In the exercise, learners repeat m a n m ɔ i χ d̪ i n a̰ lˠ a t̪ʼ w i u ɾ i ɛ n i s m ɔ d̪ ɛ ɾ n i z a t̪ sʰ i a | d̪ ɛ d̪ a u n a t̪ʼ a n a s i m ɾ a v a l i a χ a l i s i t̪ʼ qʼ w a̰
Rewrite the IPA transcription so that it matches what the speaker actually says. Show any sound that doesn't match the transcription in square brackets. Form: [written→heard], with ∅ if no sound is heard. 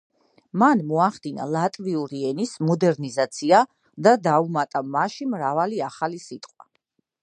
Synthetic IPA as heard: m a n m ɔ [i→a] χ d̪ i n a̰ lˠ a t̪ʼ [w→v] i u ɾ i ɛ n i s m ɔ d̪ ɛ ɾ n i z a t̪ sʰ i a | d̪ [ɛ→a] d̪ a u [n→m] a t̪ʼ a [n→m] a [s→ʃ] i m ɾ a v a l i a χ a l i s i t̪ʼ qʼ w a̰